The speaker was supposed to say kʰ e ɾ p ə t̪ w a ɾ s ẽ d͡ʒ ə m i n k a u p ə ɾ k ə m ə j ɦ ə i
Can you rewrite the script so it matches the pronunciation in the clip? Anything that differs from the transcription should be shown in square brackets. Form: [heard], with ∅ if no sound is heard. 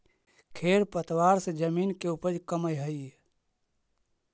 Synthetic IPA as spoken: kʰ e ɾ p ə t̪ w a ɾ s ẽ d͡ʒ ə m i n k [e] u p ə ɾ k ə m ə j ɦ ə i